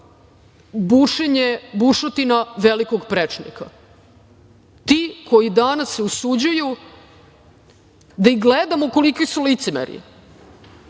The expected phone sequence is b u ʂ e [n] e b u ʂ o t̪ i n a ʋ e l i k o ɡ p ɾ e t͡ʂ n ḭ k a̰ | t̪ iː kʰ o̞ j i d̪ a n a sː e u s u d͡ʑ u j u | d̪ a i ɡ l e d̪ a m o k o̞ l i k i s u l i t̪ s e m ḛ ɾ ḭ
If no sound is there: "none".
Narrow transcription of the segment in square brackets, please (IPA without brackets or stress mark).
ɲ